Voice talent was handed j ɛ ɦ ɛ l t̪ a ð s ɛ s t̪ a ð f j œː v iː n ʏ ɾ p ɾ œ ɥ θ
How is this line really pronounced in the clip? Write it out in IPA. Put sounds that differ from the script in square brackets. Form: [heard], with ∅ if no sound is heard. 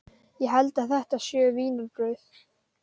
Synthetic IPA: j ɛ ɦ ɛ l t̪ a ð [θ] ɛ [h] t̪ a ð [s] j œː v iː n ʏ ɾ p ɾ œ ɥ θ